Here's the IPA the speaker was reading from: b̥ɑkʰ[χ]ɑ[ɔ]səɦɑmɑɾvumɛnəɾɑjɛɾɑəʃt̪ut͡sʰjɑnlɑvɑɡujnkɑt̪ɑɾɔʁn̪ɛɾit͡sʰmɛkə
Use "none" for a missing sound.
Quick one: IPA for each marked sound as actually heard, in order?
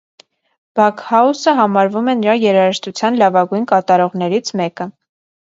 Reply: h, u

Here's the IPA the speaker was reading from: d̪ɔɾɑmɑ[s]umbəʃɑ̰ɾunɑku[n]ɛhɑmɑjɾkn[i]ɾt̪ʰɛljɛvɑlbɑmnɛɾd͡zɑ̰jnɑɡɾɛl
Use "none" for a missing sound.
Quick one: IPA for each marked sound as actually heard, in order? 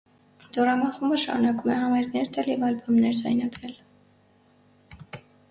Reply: χ, m, ɛ

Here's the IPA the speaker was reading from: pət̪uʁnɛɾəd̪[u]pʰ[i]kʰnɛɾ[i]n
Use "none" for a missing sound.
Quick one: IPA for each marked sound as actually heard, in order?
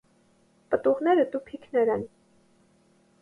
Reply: u, i, ɛ

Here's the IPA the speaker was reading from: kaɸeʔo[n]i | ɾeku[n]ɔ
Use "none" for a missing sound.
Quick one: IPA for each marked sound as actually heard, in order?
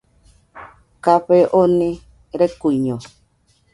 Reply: n, ɲ

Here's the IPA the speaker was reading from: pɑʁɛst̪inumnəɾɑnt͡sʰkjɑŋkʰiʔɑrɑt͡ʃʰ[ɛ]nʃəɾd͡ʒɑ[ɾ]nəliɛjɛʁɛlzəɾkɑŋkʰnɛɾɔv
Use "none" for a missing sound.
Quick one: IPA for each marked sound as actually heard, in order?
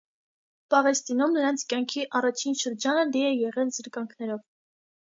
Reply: i, none

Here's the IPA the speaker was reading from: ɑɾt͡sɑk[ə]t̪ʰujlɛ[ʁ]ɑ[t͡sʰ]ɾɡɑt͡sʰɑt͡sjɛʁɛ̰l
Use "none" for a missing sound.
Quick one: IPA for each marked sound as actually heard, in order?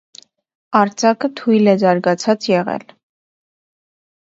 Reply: ə, z, none

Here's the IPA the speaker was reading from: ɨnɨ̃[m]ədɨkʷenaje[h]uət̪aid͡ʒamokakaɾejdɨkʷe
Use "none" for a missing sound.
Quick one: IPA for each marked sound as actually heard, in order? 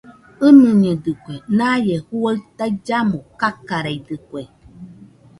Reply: ɲ, h

